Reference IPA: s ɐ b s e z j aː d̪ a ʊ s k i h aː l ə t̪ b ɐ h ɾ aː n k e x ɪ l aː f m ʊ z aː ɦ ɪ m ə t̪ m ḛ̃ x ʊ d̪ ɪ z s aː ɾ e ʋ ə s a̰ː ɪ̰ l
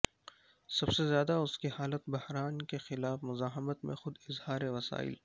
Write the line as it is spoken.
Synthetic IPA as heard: s ɐ b s e z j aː d̪ a ʊ s k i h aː l ə t̪ b ɐ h ɾ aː n k e x ɪ l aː f m ʊ z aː ɦ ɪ m ə t̪ m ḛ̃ x ʊ d̪ ɪ z h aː ɾ e ʋ ɐ s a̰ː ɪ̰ l